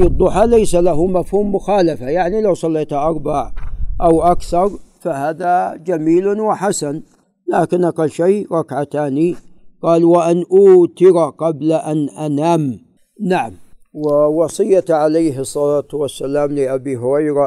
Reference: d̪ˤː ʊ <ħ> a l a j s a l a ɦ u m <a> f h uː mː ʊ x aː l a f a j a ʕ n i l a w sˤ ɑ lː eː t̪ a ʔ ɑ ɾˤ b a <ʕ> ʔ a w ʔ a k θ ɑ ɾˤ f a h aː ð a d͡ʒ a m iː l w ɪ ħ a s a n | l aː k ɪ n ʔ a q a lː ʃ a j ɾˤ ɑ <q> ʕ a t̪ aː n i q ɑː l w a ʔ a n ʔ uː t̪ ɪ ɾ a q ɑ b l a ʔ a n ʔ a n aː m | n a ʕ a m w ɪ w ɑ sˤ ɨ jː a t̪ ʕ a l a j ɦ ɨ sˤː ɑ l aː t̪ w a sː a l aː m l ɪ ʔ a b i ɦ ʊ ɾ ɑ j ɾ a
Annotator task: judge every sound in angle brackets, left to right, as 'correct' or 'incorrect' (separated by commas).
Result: correct, correct, correct, incorrect